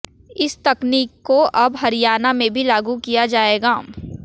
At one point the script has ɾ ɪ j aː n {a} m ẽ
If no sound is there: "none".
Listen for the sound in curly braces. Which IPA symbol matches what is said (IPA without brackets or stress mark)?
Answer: a